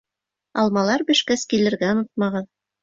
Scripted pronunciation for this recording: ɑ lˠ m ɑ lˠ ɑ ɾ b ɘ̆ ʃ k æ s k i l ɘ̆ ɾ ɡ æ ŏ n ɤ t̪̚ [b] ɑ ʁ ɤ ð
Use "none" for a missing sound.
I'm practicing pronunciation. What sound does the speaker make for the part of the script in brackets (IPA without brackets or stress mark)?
m